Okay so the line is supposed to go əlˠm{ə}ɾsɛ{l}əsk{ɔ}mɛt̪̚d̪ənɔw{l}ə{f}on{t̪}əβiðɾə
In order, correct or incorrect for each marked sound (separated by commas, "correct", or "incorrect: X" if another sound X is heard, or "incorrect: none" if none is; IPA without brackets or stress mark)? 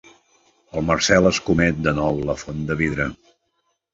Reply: correct, correct, incorrect: u, correct, correct, incorrect: d̪